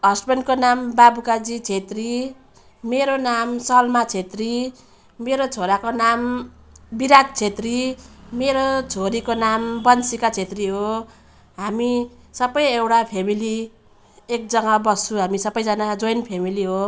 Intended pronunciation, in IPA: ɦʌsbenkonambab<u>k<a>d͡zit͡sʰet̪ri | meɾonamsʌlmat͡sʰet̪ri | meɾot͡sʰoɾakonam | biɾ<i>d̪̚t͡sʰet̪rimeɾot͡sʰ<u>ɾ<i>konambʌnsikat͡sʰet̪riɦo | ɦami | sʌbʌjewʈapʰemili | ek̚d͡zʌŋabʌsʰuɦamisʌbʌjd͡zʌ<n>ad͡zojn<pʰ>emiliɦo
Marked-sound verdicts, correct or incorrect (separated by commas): correct, correct, incorrect, incorrect, correct, correct, correct